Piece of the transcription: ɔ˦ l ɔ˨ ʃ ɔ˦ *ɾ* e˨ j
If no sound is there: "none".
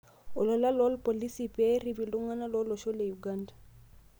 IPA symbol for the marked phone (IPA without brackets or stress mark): l